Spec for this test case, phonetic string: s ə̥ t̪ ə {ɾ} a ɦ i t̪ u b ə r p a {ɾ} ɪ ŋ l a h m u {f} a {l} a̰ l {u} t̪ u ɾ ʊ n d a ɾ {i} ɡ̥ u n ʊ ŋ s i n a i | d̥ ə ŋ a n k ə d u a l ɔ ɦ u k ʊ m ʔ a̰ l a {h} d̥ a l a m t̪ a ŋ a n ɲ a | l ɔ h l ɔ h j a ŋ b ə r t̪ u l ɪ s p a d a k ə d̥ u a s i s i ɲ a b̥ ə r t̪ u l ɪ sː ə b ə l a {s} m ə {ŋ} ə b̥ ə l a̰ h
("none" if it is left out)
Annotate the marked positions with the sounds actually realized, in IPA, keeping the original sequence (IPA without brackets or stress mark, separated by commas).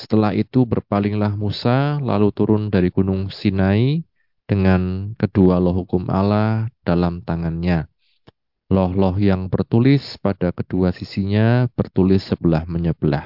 l, l, s, l, u, i, h, h, ɲ